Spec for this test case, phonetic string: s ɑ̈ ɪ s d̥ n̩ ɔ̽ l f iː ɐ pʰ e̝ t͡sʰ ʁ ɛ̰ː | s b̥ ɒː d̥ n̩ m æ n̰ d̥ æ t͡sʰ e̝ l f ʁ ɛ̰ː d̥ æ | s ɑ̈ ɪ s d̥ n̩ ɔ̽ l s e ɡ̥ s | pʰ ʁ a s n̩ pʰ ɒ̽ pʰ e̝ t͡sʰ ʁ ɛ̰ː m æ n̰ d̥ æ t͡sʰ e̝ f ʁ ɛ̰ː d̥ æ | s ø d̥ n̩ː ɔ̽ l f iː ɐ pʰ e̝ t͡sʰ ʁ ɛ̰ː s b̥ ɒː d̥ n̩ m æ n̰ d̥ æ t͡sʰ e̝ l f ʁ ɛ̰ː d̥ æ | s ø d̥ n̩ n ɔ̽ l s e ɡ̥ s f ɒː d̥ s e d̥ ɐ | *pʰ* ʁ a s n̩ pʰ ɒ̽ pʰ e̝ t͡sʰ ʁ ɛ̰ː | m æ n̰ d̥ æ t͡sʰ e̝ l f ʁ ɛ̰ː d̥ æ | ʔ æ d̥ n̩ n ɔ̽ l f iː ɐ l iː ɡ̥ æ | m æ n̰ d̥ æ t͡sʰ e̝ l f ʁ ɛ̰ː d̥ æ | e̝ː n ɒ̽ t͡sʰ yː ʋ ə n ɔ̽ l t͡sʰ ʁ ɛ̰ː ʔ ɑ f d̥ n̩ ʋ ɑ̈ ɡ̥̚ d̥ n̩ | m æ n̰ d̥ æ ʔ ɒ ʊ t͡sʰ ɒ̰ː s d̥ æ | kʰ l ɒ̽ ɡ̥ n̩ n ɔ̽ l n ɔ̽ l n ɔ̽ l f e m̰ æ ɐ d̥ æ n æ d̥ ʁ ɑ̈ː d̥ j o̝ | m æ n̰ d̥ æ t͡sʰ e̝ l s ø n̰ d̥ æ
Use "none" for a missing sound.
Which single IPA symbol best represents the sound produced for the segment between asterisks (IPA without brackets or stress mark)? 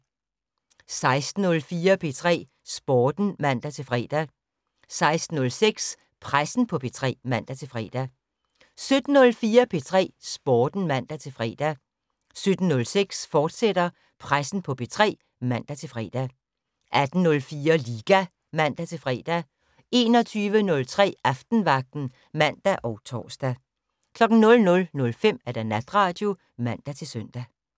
pʰ